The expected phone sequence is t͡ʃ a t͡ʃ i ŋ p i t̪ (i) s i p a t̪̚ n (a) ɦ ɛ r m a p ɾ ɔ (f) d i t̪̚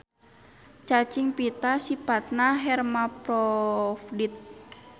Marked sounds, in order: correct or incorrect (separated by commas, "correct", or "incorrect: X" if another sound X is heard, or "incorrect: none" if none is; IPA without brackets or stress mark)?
incorrect: a, correct, correct